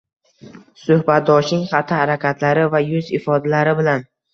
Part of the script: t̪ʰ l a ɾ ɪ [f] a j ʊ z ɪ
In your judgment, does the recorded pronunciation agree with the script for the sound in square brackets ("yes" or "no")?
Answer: no